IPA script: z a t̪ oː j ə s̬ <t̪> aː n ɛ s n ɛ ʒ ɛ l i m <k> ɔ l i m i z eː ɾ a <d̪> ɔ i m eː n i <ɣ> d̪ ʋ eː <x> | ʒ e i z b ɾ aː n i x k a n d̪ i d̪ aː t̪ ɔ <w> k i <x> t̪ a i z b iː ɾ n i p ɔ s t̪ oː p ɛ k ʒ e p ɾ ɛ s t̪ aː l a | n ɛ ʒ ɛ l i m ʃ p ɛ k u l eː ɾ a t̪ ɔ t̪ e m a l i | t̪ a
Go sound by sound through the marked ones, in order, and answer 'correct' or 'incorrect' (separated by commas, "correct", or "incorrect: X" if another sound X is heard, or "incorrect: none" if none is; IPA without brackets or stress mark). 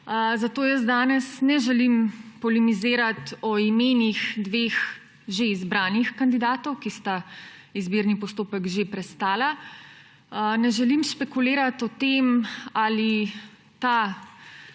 incorrect: d̪, incorrect: p, incorrect: t̪, incorrect: x, correct, correct, incorrect: s